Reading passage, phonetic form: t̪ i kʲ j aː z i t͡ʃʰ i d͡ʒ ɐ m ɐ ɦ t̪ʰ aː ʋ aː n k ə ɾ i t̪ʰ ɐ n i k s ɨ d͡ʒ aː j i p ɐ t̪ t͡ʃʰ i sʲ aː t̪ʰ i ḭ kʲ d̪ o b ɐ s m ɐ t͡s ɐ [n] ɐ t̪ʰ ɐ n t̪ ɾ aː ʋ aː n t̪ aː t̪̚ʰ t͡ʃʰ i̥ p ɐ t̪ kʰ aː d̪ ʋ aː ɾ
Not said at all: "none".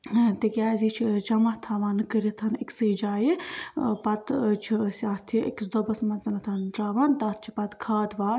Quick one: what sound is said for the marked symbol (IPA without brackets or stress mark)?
n